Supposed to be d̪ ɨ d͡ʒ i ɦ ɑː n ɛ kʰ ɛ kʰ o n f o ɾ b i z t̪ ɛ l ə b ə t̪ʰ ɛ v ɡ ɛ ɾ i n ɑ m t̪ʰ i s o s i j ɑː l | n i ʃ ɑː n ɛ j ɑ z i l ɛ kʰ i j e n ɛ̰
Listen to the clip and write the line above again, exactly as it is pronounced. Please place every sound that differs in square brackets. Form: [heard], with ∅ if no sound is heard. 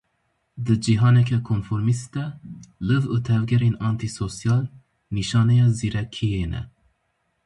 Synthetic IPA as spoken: d̪ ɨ d͡ʒ i ɦ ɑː n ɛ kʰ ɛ kʰ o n f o ɾ [m] i [s] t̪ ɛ l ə [v] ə t̪ʰ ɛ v ɡ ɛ ɾ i n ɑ [n] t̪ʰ i s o s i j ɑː l | n i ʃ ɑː n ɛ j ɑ z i [ɾ] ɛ kʰ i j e n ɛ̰